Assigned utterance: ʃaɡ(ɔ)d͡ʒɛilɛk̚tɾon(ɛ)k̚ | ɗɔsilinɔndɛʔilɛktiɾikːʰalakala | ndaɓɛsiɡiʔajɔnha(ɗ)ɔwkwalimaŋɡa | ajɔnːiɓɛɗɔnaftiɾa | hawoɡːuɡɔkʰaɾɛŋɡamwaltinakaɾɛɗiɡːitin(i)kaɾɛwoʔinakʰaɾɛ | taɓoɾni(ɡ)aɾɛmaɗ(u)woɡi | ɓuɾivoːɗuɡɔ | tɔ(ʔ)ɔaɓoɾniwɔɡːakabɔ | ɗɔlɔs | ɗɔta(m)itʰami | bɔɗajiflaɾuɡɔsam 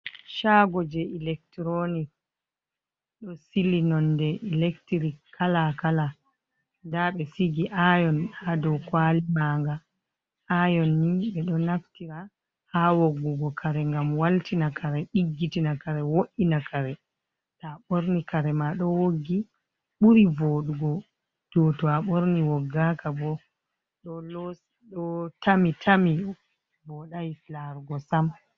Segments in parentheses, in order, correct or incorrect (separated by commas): correct, incorrect, incorrect, incorrect, incorrect, incorrect, incorrect, correct